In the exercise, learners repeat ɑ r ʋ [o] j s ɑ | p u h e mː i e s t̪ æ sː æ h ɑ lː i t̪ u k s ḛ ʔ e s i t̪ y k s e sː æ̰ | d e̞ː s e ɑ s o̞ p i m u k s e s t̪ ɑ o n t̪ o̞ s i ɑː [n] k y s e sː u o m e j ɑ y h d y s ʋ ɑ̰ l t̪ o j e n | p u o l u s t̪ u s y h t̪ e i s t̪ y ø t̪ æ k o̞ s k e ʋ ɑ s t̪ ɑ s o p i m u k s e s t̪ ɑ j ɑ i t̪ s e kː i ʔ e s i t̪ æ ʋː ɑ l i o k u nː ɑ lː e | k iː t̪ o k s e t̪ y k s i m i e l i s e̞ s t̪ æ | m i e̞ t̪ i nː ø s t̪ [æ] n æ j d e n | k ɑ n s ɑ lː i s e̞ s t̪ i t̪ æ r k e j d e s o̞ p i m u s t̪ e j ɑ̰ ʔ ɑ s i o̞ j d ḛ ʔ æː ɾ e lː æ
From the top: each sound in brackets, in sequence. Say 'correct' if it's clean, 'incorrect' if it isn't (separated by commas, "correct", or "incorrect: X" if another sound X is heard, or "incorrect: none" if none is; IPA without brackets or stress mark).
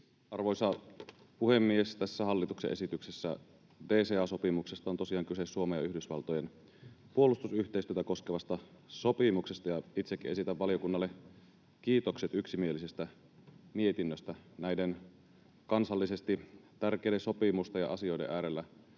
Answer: correct, incorrect: ŋ, correct